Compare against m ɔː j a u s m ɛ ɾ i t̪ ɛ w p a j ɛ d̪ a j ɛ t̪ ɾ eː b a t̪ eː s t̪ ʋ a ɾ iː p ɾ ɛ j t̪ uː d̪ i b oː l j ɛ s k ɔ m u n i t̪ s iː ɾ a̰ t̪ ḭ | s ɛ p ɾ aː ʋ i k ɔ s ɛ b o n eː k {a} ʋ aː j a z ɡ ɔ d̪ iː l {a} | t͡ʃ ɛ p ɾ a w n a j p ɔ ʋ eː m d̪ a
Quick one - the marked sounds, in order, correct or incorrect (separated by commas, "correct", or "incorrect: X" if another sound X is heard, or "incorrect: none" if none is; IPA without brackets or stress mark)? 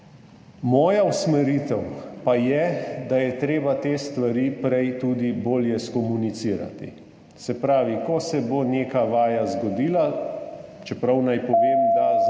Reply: correct, correct